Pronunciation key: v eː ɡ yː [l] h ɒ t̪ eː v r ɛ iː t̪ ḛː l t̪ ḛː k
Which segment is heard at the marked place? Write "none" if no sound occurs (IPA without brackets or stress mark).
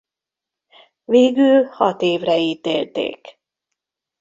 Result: l